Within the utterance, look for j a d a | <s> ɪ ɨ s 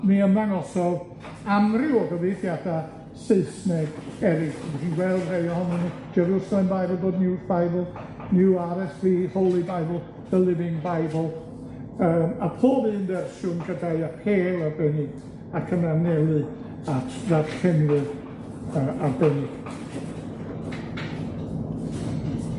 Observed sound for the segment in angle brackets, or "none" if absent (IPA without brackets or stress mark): s